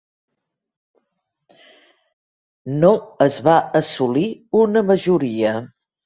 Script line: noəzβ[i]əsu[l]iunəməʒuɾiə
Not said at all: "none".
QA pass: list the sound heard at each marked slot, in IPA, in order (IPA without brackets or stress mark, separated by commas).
a, l